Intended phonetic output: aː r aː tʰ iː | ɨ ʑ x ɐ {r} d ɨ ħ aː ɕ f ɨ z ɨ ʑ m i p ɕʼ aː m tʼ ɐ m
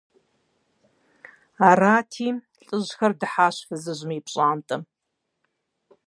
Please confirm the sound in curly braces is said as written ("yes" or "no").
yes